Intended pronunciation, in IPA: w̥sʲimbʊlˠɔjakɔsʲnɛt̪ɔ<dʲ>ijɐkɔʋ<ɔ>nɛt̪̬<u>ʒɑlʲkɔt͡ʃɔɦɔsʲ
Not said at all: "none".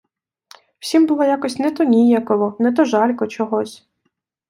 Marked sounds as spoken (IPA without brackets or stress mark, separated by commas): nʲ, ɔ, ɔ